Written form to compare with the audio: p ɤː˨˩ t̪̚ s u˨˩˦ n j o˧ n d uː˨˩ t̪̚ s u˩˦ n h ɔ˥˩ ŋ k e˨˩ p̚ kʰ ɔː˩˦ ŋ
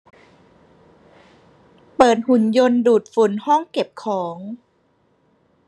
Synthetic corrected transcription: p ɤː˨˩ t̪̚ h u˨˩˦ n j o˧ n d uː˨˩ t̪̚ f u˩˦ n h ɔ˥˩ ŋ k e˨˩ p̚ kʰ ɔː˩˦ ŋ